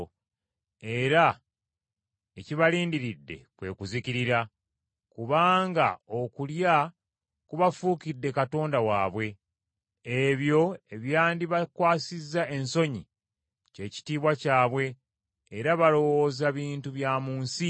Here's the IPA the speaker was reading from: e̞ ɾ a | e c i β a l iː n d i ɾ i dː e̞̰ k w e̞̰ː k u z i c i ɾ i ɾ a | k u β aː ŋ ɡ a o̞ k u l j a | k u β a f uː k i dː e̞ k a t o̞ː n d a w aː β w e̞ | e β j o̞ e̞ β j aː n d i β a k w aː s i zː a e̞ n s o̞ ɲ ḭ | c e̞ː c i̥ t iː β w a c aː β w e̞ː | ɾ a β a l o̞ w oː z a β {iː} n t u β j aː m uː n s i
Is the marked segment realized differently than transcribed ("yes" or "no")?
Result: no